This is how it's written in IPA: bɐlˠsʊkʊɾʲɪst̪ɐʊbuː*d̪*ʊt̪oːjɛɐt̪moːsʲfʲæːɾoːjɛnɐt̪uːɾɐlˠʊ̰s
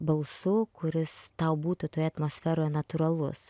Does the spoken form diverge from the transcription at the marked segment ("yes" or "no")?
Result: yes